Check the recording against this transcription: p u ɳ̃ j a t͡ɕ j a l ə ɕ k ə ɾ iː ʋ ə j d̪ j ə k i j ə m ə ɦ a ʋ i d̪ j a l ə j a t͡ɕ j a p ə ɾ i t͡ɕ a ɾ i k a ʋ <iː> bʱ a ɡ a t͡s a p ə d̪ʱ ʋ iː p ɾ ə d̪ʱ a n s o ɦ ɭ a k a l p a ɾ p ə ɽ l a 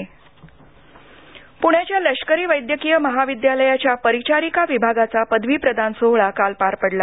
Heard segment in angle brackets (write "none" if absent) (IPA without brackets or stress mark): i